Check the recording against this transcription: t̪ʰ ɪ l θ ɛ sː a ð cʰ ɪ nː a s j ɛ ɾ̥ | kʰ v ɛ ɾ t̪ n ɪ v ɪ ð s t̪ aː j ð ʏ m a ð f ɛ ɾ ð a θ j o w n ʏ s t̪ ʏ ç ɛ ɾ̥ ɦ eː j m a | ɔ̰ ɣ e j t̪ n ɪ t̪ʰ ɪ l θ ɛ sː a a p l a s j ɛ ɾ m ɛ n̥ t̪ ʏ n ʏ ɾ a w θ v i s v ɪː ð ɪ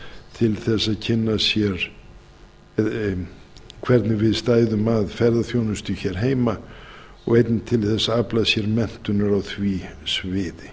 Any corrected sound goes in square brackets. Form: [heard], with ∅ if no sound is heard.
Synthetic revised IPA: t̪ʰ ɪ l θ ɛ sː a ð cʰ ɪ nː a s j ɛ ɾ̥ | kʰ v ɛ ɾ t̪ n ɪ v ɪ ð s t̪ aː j ð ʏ m a ð f ɛ ɾ ð a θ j o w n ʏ s t̪ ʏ ç ɛ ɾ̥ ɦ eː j m a | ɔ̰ ɣ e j t̪ n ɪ t̪ʰ ɪ l θ ɛ sː a a p l a s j ɛ ɾ m ɛ n̥ t̪ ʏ n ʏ ɾ a w θ v i s v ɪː ð ɪ